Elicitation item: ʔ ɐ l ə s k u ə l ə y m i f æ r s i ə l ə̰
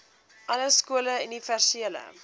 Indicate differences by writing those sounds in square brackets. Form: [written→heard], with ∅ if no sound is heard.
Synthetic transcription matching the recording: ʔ ɐ l ə s k u ə l ə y [m→n] i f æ r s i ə l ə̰